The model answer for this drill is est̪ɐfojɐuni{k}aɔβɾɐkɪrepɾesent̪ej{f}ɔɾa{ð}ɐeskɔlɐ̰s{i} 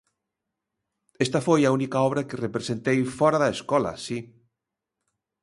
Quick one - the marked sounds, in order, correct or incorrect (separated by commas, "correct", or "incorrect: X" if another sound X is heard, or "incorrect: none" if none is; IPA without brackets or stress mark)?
correct, correct, correct, correct